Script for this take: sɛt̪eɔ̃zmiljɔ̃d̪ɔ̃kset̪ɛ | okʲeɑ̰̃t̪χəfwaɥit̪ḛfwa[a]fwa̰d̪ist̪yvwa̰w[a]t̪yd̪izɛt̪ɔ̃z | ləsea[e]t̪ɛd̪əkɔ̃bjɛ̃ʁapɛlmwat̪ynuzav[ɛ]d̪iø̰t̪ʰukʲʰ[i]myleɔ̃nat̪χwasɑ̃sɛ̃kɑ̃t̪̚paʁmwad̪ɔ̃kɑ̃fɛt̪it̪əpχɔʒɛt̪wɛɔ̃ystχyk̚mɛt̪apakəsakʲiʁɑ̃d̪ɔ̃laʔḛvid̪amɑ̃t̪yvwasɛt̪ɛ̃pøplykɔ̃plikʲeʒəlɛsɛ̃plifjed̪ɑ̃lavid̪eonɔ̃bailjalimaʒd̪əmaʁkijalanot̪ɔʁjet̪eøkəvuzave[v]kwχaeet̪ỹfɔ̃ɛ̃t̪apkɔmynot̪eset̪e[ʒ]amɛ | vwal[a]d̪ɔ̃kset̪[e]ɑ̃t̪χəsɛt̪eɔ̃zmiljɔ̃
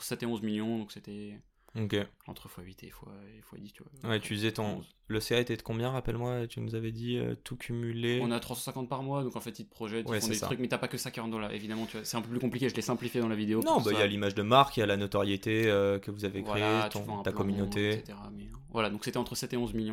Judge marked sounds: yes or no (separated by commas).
no, no, yes, yes, no, yes, no, yes, no